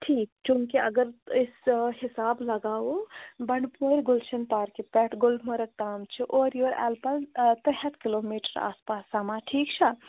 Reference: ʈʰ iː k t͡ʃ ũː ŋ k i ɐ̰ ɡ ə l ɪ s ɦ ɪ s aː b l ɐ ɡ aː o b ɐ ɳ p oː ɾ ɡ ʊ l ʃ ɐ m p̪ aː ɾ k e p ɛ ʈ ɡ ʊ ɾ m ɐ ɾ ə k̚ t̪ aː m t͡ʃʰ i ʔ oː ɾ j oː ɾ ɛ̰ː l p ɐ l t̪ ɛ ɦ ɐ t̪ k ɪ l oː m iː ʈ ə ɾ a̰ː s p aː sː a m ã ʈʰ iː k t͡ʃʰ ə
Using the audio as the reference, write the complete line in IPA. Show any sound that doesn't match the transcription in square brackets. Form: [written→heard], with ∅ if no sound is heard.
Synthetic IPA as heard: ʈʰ iː k t͡ʃ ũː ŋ k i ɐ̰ ɡ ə [l→ɾ] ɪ s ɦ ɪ s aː b l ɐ ɡ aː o b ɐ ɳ p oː ɾ ɡ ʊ l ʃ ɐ [m→n] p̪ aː ɾ k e p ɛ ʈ ɡ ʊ [ɾ→l] m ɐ ɾ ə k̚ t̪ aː m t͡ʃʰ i ʔ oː ɾ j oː ɾ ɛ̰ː l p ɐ l t̪ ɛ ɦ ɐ t̪ k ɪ l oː m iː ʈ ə ɾ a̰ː s p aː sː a m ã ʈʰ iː k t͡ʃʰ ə